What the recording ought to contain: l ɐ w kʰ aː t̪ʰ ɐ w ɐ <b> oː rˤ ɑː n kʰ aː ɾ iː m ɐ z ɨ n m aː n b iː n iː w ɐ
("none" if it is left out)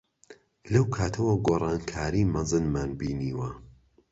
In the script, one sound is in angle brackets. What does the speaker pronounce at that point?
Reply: ɡ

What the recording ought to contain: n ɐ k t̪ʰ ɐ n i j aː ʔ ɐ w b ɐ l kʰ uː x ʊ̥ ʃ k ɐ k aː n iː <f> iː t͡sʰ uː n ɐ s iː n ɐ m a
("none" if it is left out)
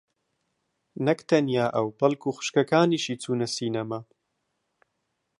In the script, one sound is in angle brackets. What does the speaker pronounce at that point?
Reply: ʃ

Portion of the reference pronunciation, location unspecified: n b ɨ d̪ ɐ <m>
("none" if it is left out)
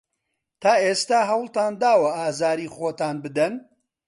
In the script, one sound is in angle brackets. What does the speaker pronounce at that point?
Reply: n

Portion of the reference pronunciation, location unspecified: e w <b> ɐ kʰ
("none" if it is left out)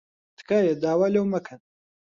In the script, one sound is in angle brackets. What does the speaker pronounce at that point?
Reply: m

